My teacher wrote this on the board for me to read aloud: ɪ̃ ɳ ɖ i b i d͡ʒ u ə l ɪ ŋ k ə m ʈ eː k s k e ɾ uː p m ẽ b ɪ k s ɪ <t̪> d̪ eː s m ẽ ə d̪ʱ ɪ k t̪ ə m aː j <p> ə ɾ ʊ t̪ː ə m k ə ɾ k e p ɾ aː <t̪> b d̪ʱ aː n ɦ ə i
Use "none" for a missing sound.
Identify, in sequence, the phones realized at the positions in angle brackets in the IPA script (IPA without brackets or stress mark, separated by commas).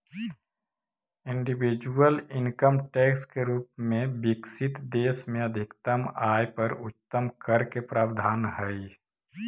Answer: t̪, p, none